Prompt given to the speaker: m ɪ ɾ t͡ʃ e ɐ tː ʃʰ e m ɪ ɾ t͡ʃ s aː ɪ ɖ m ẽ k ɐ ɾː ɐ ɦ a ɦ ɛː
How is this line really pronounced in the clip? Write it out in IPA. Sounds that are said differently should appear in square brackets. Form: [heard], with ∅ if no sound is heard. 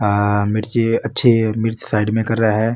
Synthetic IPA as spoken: m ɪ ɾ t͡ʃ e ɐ tː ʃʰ e m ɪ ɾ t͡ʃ s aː ɪ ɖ m ẽ k ɐ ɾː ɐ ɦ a ɦ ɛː